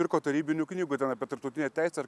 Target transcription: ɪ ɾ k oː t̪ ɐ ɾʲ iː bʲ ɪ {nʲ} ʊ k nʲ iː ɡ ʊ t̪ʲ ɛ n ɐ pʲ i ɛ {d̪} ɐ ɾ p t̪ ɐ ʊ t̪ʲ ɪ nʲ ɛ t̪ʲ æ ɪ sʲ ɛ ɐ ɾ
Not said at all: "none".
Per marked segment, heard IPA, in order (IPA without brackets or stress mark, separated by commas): nʲ, t̪